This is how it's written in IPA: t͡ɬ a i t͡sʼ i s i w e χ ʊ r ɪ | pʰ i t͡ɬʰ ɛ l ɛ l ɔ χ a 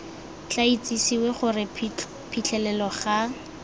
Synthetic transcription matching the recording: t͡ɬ a i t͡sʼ i s i w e χ ʊ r ɪ | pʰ i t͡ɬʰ ɛ l ɛ l ɔ χ a